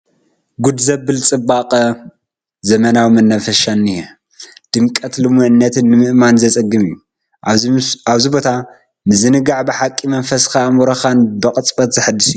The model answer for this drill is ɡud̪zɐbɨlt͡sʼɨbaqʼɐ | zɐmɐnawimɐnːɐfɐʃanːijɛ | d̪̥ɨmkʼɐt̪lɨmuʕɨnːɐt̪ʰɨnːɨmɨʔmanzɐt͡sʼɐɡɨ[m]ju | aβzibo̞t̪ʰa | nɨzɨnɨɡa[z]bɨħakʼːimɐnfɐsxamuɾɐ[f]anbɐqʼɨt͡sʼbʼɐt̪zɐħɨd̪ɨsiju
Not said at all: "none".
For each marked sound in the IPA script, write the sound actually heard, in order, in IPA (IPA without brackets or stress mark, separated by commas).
m, ʕ, x